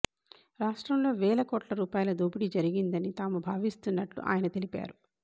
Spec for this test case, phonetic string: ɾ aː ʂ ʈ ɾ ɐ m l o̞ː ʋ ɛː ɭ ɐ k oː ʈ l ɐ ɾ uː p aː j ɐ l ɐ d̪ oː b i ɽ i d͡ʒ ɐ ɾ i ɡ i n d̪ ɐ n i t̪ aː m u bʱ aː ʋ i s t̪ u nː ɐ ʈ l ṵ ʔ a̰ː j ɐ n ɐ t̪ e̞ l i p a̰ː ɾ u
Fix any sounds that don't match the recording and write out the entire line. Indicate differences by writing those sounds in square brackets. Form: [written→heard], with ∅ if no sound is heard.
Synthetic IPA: ɾ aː ʂ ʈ ɾ ɐ m l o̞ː ʋ ɛː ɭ ɐ k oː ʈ l ɐ ɾ uː p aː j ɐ l ɐ d̪ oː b i ɽ i d͡ʒ ɐ ɾ i ɡ i n d̪ ɐ n i t̪ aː m u bʱ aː ʋ i s t̪ u nː ɐ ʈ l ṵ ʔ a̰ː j ɐ n ɐ t̪ e̞ l i p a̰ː ɾ u

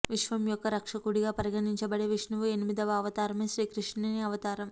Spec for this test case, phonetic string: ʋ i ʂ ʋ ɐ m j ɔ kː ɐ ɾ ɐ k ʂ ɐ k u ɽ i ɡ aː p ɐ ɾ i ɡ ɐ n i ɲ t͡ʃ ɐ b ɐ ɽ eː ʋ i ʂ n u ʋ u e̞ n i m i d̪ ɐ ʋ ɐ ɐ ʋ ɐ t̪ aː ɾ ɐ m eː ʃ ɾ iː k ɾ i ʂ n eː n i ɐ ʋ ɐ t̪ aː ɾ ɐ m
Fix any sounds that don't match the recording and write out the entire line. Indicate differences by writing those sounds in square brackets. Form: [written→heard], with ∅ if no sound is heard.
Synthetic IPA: ʋ i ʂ ʋ ɐ m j ɔ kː ɐ ɾ ɐ k ʂ ɐ k u ɽ i ɡ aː p ɐ ɾ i ɡ ɐ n i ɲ t͡ʃ ɐ b ɐ ɽ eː ʋ i ʂ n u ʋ u e̞ n i m i d̪ ɐ ʋ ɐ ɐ ʋ ɐ t̪ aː ɾ ɐ m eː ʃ ɾ iː k ɾ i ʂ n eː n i ɐ ʋ ɐ t̪ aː ɾ ɐ m

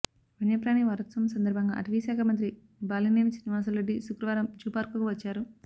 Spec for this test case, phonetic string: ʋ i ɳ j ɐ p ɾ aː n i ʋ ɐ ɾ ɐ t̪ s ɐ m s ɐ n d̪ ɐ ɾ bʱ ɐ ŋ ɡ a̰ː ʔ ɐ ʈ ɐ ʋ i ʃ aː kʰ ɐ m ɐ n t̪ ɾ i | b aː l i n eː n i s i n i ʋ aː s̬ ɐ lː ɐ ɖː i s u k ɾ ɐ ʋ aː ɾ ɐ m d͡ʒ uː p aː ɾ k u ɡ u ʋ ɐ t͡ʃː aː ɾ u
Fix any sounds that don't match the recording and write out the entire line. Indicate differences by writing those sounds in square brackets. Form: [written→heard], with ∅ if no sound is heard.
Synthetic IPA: ʋ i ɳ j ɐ p ɾ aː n i ʋ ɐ ɾ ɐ t̪ s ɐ m s ɐ n d̪ ɐ ɾ bʱ ɐ ŋ ɡ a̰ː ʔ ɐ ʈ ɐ ʋ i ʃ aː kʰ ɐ m ɐ n t̪ ɾ i | b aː l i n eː n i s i n i ʋ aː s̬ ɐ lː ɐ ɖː i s u k ɾ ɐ ʋ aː ɾ ɐ m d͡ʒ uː p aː ɾ k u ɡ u ʋ ɐ t͡ʃː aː ɾ u

